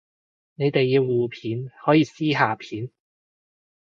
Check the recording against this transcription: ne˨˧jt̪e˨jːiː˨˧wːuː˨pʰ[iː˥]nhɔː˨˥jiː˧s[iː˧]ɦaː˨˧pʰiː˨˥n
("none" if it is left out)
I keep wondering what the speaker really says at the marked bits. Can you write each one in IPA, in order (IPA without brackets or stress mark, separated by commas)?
iː˨˥, iː˥